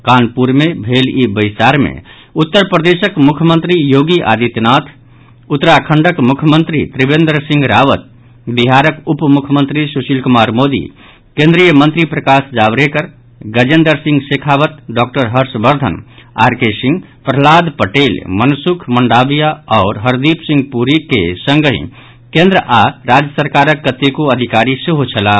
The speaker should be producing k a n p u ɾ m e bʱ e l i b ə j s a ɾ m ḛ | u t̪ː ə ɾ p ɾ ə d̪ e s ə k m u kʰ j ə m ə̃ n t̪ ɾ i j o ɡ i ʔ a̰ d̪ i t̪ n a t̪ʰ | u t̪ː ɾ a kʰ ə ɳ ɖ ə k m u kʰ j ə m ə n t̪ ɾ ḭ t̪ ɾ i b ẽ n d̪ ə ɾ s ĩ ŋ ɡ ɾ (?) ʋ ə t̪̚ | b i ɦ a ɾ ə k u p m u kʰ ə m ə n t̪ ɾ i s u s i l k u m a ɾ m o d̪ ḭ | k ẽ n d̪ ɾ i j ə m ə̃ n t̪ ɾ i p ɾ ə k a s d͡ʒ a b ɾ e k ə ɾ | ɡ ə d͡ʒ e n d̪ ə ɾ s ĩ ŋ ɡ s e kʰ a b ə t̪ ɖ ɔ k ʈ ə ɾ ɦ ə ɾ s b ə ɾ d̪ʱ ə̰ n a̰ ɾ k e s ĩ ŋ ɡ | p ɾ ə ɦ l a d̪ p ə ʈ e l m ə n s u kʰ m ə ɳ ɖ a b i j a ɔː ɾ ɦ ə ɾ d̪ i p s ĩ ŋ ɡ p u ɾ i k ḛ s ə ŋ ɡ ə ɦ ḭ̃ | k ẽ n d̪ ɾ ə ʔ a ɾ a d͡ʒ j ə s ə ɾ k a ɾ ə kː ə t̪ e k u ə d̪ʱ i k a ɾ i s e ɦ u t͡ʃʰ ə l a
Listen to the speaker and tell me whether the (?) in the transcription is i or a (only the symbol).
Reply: a